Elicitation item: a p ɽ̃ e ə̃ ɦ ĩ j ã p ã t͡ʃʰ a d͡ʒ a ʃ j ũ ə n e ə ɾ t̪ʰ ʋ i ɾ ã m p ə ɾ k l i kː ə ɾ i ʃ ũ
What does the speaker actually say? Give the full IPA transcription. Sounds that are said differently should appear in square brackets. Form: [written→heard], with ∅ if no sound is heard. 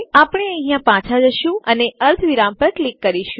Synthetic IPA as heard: a p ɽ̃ e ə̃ ɦ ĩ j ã p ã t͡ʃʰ a d͡ʒ [a→ə] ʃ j ũ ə n e ə ɾ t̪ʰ ʋ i ɾ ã m p ə ɾ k l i kː ə ɾ i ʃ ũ